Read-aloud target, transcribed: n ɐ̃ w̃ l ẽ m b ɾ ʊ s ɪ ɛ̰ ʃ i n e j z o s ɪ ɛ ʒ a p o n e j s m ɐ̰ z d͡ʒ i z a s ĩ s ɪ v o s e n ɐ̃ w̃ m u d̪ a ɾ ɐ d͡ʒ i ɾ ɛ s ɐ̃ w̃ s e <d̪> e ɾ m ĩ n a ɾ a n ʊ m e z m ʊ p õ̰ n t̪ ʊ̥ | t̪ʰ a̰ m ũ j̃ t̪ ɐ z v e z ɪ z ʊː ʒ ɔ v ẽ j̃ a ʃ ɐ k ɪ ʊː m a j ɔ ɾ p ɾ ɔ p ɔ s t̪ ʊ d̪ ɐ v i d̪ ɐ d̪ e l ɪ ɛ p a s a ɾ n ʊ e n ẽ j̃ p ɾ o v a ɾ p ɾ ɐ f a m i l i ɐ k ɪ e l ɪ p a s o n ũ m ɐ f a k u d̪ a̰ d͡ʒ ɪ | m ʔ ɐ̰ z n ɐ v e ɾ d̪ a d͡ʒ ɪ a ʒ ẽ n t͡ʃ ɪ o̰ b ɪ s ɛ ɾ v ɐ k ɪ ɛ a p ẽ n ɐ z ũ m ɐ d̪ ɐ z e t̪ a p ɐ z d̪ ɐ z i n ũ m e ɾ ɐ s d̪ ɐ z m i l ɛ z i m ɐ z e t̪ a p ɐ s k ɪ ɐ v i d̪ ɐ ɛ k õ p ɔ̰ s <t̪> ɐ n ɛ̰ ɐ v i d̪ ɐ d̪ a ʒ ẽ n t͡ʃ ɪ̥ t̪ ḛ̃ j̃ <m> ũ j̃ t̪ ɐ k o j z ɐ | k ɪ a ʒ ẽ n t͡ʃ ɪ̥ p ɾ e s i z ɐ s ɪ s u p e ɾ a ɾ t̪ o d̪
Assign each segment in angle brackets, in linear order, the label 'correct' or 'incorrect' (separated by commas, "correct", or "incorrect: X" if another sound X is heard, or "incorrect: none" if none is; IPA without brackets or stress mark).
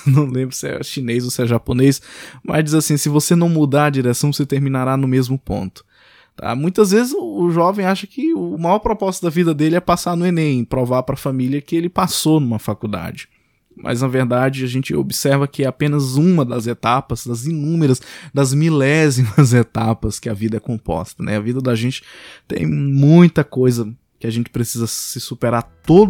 incorrect: t̪, correct, correct